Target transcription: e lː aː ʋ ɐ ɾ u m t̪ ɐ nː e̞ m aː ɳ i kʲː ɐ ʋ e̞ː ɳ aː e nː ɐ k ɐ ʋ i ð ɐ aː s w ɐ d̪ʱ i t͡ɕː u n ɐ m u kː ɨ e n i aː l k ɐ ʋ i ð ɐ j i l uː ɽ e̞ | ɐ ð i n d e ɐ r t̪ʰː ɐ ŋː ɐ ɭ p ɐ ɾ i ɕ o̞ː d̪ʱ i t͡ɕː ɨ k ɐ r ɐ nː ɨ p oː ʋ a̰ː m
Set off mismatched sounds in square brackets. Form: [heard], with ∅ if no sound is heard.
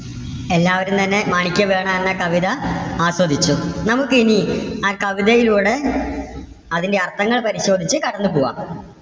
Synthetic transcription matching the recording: e lː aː ʋ ɐ ɾ u m t̪ ɐ nː e̞ m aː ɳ i kʲː ɐ ʋ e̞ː ɳ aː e nː ɐ k ɐ ʋ i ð ɐ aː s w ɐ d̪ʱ i t͡ɕː u n ɐ m u kː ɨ [i] n i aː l k ɐ ʋ i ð ɐ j i l uː ɽ e̞ | ɐ ð i n d e ɐ r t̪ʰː ɐ ŋː ɐ ɭ p ɐ ɾ i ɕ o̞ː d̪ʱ i t͡ɕː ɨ k ɐ [ɽ] ɐ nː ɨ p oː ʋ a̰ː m